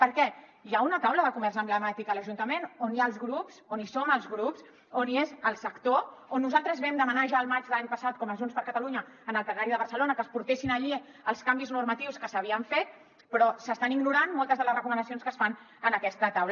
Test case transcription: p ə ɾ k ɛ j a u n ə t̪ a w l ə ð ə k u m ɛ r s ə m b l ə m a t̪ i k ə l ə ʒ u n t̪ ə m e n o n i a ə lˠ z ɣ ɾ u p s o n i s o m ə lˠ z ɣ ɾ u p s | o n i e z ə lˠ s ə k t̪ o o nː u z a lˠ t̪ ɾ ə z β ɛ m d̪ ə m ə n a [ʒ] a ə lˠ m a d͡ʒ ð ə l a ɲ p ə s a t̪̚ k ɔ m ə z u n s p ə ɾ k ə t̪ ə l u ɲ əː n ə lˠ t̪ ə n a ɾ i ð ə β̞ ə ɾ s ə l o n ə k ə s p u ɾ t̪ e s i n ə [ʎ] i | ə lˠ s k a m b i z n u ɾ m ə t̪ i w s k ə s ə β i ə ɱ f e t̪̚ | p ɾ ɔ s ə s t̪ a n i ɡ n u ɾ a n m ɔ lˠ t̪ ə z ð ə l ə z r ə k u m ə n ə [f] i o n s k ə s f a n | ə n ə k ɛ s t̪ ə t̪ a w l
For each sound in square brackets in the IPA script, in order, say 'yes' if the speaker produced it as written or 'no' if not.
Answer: yes, yes, no

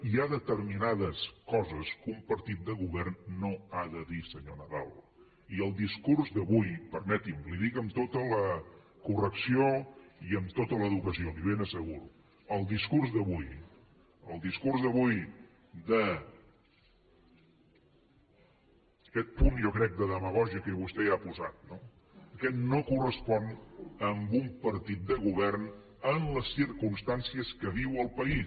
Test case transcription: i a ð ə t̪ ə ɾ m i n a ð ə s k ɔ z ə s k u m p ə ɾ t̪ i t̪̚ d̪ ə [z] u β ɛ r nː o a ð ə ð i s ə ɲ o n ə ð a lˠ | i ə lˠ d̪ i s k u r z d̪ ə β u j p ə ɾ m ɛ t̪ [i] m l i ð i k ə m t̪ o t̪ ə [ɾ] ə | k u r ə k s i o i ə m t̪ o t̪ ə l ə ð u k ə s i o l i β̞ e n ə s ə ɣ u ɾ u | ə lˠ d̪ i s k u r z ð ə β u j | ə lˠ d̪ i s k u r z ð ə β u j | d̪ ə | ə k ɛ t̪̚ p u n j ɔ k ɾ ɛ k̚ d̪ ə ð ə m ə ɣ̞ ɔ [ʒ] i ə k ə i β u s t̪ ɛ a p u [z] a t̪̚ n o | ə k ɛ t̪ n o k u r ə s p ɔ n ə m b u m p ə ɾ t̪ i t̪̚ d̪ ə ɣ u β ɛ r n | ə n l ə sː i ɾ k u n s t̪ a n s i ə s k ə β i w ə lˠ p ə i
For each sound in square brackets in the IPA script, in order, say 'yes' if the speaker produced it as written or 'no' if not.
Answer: no, yes, no, yes, yes

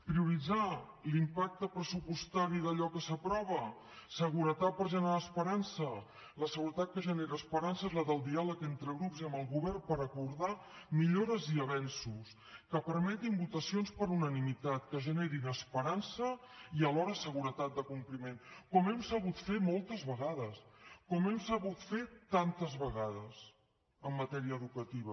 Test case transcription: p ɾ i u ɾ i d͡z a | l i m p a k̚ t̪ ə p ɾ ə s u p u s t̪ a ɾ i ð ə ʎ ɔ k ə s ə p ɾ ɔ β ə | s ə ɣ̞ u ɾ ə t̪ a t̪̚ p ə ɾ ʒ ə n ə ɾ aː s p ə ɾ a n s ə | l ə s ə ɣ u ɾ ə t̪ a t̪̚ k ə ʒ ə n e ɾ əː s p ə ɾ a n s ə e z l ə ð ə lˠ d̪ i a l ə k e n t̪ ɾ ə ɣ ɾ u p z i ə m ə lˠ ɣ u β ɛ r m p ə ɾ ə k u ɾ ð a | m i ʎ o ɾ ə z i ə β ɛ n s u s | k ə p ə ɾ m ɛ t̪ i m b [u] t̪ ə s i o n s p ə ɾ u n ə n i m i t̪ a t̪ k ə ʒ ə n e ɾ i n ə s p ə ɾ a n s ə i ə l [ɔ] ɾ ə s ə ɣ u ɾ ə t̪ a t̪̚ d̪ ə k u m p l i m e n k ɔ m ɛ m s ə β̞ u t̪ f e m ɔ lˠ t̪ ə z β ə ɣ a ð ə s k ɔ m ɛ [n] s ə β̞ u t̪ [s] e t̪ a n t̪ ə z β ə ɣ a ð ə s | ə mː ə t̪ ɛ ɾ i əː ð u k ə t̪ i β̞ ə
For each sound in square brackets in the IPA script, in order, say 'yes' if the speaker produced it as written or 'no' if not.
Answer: yes, yes, no, no

